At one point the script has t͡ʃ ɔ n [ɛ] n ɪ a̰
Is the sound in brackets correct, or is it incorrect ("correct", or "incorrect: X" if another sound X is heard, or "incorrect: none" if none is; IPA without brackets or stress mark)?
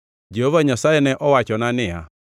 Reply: incorrect: a